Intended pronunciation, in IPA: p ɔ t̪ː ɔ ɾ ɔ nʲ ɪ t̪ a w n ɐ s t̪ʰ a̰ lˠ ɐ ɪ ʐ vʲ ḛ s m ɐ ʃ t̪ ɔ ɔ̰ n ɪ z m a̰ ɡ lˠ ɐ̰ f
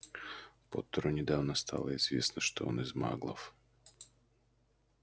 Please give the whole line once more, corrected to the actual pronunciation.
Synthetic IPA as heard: p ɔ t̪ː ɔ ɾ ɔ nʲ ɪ d̪ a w n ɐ s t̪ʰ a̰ lˠ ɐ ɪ z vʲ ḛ s n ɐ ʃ t̪ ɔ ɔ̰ n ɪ z m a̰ ɡ lˠ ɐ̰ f